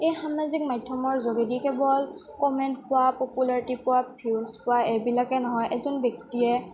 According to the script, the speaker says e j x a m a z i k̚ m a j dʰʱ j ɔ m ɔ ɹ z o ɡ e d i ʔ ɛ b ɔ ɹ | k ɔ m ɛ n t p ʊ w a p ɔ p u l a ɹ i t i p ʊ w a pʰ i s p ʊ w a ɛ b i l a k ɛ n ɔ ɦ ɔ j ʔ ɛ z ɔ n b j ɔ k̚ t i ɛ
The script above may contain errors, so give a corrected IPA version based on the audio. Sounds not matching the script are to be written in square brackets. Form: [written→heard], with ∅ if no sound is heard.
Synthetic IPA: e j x a m a z i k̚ m a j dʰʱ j ɔ m ɔ ɹ z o ɡ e d i [ʔ→k] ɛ b ɔ [ɹ→l] | k ɔ m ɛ n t p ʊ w a p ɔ p u l a ɹ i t i p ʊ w a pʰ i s p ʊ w a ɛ b i l a k ɛ n ɔ ɦ ɔ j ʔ ɛ z ɔ n b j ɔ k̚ t i ɛ